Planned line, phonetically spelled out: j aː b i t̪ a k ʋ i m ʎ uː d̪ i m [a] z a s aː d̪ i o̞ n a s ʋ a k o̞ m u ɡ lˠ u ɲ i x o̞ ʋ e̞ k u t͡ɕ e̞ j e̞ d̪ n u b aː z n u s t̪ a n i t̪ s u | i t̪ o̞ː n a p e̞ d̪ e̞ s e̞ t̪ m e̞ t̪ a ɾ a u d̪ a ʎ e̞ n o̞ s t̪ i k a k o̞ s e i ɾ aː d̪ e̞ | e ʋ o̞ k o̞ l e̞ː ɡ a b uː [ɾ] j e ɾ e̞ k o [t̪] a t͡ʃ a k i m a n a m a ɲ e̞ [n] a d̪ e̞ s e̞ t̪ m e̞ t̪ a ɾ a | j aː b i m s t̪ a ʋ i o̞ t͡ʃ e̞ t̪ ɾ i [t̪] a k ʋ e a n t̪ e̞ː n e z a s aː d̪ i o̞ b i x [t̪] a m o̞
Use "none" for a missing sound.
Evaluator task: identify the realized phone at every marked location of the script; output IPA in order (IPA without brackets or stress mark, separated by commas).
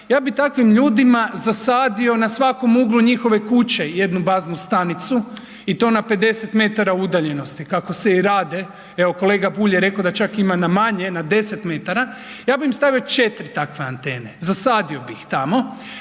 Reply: a, ʎ, d̪, n, t̪, t̪